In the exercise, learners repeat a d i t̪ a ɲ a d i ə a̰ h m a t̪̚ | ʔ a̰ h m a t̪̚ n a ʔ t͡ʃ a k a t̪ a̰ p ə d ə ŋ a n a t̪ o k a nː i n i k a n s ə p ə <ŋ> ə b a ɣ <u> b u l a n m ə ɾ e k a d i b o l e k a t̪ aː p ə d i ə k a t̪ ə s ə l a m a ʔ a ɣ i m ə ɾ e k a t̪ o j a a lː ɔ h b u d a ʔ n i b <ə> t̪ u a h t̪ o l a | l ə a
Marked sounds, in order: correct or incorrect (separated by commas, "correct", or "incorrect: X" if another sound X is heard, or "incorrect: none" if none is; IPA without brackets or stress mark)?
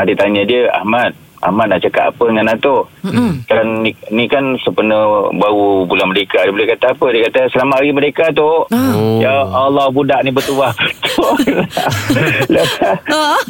incorrect: n, correct, correct